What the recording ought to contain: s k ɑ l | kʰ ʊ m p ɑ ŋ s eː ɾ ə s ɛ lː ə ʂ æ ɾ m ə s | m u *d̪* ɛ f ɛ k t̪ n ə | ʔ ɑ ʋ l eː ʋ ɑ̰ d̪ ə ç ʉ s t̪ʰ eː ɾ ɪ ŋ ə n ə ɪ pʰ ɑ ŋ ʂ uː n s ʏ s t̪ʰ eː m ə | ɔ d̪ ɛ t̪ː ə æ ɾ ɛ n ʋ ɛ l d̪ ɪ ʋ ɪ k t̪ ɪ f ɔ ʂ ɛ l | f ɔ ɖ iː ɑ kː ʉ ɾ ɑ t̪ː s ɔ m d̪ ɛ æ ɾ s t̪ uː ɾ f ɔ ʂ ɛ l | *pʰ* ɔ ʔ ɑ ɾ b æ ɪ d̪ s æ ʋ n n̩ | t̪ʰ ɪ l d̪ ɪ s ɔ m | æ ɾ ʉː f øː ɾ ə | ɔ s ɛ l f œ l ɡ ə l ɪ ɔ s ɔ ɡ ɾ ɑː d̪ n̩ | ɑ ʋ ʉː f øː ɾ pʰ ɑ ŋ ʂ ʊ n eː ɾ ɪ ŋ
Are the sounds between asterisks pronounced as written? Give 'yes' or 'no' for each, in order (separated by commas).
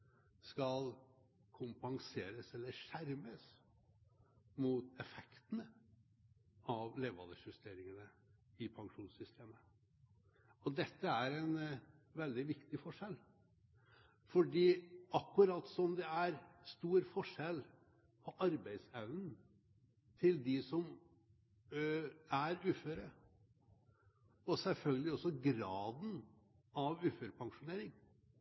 no, yes